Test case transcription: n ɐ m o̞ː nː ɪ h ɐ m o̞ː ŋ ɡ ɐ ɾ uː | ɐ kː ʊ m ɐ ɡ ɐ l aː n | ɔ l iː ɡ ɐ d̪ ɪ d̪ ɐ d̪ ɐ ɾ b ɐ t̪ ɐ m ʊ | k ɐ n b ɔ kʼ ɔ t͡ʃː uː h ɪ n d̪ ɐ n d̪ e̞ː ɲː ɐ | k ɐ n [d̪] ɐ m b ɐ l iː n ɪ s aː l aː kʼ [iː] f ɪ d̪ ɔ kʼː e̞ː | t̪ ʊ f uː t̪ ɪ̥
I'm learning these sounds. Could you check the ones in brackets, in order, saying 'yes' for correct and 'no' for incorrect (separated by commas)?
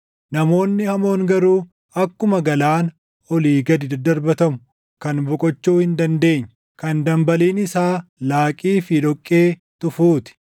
yes, yes